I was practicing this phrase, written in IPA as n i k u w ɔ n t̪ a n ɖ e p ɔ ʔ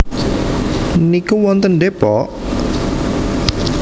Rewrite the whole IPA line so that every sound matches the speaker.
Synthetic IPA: n i k u w ɔ n t̪ ə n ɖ e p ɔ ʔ

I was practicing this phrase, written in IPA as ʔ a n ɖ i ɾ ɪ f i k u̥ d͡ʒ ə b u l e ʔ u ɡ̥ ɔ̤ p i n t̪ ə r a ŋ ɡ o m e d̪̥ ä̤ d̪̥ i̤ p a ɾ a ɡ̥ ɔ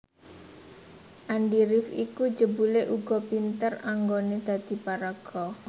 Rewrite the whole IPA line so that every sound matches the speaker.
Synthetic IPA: ʔ a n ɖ i ɾ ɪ f i k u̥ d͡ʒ ə b u l e ʔ u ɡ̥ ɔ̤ p i n t̪ ə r a ŋ ɡ o n e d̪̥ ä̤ d̪̥ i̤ p a ɾ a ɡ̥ ɔ

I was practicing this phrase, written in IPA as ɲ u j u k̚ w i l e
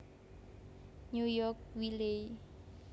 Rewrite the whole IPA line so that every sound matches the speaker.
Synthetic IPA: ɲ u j ɔ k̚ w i l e

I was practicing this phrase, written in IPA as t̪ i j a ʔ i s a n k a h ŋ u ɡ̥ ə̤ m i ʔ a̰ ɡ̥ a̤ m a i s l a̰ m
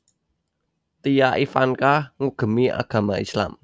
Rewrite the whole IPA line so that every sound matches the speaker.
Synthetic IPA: t̪ i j a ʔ i f a n k a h ŋ u ɡ̥ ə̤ m i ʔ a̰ ɡ̥ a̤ m a i s l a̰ m

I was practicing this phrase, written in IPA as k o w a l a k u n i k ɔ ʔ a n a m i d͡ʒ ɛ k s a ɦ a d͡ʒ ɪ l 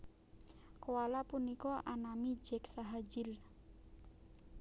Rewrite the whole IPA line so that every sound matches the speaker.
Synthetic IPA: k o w a l a p u n i k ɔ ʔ a n a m i d͡ʒ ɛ k s a ɦ a d͡ʒ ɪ l

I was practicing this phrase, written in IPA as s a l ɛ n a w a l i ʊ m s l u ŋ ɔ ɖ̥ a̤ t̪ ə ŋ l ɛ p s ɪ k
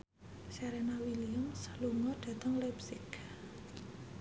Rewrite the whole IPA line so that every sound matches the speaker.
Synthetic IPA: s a ɾ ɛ n a w i l i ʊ m s l u ŋ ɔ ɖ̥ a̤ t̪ ə ŋ l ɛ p s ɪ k

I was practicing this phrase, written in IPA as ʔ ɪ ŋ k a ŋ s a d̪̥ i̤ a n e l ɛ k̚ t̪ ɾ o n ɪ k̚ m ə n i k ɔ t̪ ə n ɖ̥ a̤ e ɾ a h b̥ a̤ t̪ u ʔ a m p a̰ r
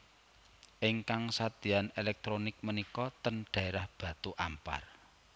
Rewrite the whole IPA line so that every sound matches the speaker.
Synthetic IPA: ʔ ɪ ŋ k a ŋ s a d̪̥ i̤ a n e l ɛ k̚ t̪ ɾ o n ɪ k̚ m ə n i k ɔ t̪ ə n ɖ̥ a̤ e ɾ a h b̥ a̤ t̪ u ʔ a m p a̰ r

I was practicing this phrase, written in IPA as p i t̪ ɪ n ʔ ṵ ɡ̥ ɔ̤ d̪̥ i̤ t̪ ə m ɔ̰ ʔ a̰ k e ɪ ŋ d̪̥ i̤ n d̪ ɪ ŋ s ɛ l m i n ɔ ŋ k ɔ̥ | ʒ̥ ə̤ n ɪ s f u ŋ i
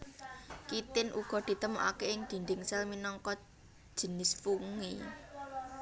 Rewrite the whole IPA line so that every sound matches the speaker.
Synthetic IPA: k i t̪ ɪ n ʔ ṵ ɡ̥ ɔ̤ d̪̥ i̤ t̪ ə m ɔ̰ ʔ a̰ k e ɪ ŋ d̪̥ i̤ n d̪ ɪ ŋ s ɛ l m i n ɔ ŋ k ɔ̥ | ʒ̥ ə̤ n ɪ s f u ŋ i

